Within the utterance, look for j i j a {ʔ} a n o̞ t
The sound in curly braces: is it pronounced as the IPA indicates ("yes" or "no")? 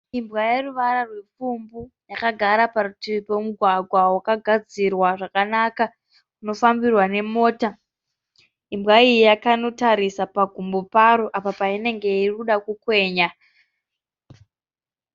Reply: no